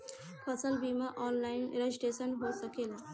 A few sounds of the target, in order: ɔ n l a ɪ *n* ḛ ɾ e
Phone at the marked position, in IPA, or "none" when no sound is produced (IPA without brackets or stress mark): n